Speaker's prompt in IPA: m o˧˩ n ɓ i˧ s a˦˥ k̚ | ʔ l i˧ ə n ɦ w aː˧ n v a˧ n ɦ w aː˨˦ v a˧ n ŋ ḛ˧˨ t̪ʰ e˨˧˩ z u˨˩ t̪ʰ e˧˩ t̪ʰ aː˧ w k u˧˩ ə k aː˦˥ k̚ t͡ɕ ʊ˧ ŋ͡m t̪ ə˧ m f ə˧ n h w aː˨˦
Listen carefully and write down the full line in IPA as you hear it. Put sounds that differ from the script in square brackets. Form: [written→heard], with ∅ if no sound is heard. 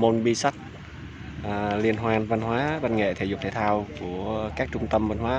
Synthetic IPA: m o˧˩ n ɓ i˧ s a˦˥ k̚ | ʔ l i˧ ə n ɦ w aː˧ n v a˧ n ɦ w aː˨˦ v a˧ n ŋ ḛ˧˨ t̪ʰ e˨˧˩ z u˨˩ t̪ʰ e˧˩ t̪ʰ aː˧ w k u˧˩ ə k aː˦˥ k̚ t͡ɕ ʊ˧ ŋ͡m t̪ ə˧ m [f→v] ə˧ n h w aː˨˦